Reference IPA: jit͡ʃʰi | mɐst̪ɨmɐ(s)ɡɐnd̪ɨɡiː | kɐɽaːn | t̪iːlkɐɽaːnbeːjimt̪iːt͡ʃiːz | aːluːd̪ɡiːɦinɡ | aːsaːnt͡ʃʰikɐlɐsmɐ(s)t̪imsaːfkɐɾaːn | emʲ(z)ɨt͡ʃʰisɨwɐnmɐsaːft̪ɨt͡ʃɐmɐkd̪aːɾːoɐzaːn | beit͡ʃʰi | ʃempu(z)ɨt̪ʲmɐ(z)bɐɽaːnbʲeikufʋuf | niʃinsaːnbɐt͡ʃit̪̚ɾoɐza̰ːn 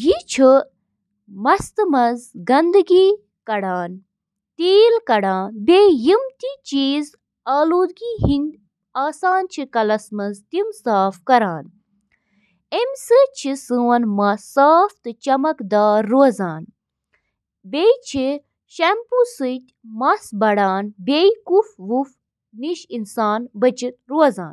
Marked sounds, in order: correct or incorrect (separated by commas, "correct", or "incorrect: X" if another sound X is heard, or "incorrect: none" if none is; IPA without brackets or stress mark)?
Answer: incorrect: z, incorrect: z, incorrect: s, incorrect: s, incorrect: s